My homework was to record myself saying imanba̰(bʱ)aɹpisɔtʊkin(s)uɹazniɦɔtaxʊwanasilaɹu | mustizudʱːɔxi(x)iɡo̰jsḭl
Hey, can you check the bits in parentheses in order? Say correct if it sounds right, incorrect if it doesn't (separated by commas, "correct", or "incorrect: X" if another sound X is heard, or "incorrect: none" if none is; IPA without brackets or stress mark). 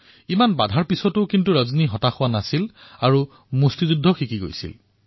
incorrect: dʱ, incorrect: t, incorrect: k